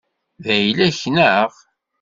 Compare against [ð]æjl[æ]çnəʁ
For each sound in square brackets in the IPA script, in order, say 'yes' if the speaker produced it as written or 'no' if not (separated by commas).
yes, yes